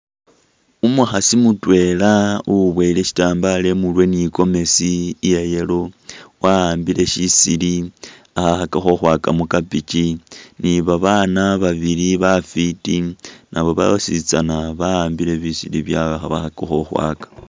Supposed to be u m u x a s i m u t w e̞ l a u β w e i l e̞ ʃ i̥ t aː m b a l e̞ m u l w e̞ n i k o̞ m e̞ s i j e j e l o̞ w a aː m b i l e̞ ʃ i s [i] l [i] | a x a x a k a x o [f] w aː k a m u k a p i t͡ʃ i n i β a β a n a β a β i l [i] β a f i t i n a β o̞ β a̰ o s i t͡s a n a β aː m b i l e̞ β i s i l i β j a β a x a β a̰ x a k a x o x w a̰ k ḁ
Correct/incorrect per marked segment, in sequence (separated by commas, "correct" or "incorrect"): correct, correct, incorrect, correct